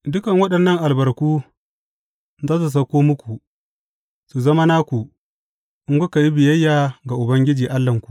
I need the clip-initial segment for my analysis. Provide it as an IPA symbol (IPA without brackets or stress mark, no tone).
d